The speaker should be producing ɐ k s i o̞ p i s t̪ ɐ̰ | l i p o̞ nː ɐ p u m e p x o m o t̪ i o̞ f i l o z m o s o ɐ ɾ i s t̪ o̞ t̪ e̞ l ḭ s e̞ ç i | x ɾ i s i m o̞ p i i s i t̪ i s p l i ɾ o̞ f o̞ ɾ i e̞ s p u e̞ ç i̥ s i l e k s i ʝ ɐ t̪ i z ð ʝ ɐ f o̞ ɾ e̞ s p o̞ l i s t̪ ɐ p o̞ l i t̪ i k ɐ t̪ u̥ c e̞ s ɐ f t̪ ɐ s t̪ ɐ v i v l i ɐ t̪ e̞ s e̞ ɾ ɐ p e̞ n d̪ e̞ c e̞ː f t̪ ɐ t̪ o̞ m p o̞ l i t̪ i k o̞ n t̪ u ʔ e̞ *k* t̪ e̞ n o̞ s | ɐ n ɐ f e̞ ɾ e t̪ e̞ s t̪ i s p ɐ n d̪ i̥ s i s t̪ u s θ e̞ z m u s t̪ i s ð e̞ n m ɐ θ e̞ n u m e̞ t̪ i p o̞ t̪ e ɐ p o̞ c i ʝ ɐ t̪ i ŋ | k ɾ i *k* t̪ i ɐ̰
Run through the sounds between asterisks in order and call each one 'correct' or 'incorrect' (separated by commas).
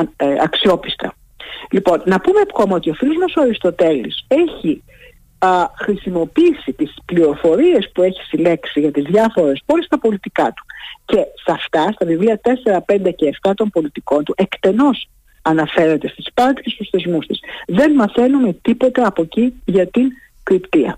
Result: correct, incorrect